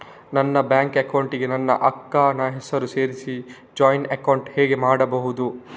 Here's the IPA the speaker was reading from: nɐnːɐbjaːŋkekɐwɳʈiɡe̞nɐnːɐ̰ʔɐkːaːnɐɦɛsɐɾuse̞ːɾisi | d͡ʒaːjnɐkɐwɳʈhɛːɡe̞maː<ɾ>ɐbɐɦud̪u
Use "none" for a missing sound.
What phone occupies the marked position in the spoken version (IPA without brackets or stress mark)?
ɽ